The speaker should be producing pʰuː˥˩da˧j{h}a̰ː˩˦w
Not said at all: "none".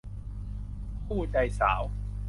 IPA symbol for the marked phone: s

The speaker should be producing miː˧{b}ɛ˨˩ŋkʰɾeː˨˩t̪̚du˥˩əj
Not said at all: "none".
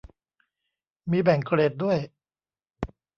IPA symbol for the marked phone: b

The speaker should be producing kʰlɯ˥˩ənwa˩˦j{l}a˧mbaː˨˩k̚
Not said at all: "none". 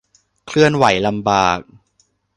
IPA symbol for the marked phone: l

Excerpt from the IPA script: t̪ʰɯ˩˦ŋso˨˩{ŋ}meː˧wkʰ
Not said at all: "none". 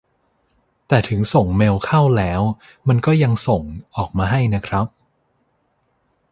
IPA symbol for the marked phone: ŋ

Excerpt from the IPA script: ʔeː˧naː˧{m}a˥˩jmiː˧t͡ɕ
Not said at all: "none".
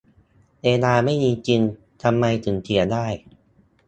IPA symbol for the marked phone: m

